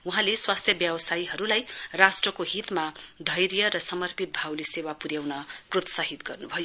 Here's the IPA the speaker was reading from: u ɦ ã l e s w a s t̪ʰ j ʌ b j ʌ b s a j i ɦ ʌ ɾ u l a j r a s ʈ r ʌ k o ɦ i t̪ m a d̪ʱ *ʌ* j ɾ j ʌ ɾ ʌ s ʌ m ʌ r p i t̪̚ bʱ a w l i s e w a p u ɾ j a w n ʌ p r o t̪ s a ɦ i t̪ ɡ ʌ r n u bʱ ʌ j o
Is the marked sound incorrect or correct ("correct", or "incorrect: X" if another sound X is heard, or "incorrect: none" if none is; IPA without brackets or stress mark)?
correct